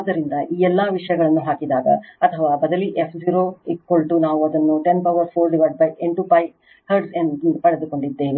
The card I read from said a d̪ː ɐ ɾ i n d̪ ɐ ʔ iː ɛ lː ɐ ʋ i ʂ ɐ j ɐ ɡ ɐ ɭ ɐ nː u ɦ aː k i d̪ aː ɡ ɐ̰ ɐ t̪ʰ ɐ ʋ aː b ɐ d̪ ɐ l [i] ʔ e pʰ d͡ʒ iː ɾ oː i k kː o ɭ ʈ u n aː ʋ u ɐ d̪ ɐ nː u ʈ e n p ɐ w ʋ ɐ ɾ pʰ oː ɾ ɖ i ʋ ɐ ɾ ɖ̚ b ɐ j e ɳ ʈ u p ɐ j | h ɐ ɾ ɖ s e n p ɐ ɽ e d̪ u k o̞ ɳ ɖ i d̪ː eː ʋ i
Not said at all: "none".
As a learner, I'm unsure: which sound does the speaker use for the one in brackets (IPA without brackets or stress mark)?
i